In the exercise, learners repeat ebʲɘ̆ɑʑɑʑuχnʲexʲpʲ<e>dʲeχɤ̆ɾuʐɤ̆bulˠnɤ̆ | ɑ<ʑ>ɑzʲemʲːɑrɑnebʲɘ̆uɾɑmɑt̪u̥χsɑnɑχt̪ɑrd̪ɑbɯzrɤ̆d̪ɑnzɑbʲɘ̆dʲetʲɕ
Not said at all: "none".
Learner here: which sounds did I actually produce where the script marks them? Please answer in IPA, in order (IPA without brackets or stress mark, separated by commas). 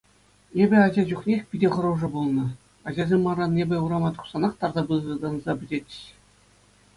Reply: i, ʑ